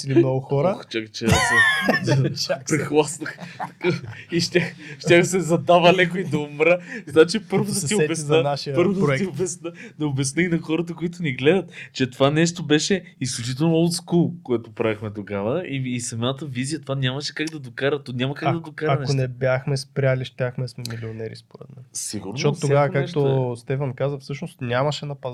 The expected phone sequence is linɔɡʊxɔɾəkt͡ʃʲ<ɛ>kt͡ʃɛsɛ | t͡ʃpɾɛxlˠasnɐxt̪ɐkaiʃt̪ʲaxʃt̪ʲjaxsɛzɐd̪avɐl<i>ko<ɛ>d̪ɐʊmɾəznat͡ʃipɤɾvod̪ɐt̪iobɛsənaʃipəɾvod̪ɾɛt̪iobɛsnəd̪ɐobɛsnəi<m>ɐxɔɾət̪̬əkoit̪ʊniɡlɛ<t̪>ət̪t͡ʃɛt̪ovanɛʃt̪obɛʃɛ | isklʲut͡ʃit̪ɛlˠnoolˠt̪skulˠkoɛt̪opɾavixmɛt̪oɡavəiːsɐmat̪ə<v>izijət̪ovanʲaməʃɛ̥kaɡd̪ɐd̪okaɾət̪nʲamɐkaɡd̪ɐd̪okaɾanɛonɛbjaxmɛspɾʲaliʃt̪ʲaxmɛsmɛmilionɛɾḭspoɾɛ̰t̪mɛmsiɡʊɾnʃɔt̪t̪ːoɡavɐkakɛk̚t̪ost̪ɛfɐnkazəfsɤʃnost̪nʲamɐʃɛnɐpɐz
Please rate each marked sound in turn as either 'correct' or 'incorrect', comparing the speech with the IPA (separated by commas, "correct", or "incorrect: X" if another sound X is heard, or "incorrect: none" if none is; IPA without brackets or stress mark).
incorrect: a, incorrect: ɛ, incorrect: i, incorrect: n, incorrect: d̪, correct